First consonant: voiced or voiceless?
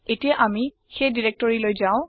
voiceless